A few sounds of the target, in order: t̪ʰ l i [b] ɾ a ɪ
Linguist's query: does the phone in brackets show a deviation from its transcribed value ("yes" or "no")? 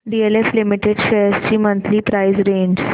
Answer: yes